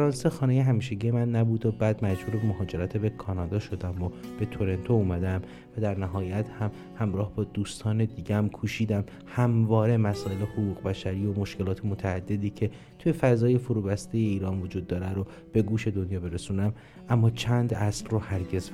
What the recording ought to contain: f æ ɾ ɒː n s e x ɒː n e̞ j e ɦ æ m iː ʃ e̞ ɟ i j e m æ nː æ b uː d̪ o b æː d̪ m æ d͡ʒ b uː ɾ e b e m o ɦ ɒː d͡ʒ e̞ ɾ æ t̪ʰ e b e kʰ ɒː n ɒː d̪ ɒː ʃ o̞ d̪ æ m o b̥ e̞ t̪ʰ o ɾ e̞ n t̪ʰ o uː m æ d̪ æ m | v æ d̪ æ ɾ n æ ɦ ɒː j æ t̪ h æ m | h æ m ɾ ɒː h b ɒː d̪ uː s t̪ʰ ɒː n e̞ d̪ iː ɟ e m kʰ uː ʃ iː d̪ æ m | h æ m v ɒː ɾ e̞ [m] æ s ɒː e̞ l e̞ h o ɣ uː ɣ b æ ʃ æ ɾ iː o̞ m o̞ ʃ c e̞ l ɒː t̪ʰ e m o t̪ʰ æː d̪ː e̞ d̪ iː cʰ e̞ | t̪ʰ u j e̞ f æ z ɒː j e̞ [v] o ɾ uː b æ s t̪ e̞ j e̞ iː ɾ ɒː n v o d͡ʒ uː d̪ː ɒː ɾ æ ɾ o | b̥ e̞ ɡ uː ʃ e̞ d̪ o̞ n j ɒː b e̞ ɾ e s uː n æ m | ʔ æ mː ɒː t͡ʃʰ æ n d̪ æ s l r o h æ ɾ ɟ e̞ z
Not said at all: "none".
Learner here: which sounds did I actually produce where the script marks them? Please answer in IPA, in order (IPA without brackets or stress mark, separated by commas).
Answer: m, f